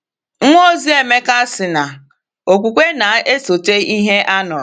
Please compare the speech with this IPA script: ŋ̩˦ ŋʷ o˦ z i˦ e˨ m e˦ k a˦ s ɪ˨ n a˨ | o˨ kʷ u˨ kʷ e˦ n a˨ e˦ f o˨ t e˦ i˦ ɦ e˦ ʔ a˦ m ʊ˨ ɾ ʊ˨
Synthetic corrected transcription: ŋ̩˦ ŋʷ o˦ z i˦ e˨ m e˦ k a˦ s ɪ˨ n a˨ | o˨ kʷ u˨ kʷ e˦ n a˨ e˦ s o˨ t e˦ i˦ ɦ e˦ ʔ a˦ n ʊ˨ ɾ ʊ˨